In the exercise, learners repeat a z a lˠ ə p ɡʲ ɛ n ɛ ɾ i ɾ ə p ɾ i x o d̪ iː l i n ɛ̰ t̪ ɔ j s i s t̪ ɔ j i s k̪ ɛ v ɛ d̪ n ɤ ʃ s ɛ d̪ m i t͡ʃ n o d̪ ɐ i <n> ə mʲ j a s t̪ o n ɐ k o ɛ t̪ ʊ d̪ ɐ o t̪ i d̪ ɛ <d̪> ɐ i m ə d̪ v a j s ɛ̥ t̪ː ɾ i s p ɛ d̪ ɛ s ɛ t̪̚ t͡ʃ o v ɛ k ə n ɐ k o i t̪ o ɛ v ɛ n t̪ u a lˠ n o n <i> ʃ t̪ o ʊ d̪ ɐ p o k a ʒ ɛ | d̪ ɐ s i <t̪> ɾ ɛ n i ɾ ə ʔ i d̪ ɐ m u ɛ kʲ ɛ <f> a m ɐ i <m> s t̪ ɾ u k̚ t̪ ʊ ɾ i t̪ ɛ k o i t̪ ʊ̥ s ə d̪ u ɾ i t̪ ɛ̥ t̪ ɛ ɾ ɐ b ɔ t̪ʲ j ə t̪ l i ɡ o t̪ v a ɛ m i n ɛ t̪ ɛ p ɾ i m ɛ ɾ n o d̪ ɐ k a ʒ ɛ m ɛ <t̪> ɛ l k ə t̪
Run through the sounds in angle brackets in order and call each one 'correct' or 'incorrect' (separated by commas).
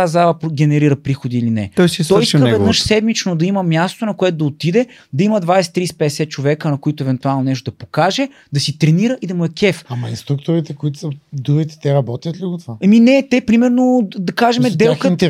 incorrect, correct, incorrect, correct, correct, incorrect, incorrect